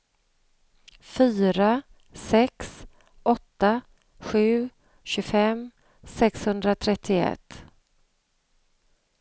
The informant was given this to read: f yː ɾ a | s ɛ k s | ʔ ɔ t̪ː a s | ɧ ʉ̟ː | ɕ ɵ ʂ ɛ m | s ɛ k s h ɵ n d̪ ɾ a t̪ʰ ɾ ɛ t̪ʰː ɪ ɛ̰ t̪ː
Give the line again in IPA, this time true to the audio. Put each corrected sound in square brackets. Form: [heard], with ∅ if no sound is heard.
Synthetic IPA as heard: f yː ɾ a | s ɛ k s | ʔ ɔ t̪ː a [∅] | ɧ ʉ̟ː | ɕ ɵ [f] ɛ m | s ɛ k s h ɵ n d̪ ɾ a t̪ʰ ɾ ɛ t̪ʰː ɪ ɛ̰ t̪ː